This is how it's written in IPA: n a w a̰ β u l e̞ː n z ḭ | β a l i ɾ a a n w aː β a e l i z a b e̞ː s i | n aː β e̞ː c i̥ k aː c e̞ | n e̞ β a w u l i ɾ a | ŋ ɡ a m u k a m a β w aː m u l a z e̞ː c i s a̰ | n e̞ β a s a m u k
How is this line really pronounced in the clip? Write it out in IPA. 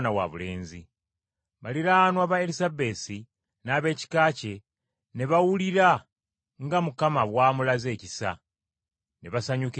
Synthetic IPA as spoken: n a w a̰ β u l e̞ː n z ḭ | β a l i ɾ a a n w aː β a e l i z a b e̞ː s i | n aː β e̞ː c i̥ k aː c e̞ | n e̞ β a w u l i ɾ a | ŋ ɡ a m u k a m a β w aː m u l a z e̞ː c i s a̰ | n e̞ β a s a ɲ u k